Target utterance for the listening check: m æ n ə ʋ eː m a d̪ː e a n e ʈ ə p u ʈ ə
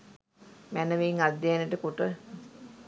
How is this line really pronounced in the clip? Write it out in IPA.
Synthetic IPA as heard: m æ n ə ʋ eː ŋ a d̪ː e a n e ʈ ə k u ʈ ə